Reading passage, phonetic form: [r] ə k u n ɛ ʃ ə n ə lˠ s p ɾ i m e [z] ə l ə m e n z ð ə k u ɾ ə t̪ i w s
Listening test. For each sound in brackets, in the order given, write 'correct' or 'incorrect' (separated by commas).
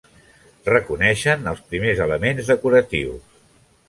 correct, correct